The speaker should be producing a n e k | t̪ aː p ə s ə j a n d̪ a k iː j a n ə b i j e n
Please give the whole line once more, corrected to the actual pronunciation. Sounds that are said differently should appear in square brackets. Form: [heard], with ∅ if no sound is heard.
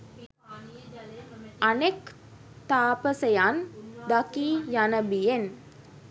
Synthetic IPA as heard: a n e k | t̪ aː p ə s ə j a n d̪ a k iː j a n ə b i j e n